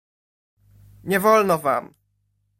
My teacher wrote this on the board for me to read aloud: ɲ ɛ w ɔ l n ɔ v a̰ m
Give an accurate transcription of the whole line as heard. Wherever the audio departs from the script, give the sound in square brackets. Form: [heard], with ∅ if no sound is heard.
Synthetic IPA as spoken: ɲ ɛ [v] ɔ l n ɔ v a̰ m